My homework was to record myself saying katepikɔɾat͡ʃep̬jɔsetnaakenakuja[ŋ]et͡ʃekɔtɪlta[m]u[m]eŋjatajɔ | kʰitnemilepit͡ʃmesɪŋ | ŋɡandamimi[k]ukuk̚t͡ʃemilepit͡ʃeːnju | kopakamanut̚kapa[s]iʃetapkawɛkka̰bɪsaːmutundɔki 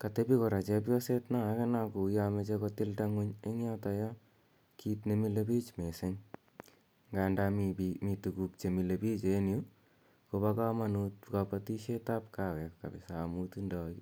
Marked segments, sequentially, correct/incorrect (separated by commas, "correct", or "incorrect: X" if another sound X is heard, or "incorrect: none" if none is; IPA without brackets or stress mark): incorrect: m, incorrect: ŋ, incorrect: ɲ, incorrect: t, incorrect: t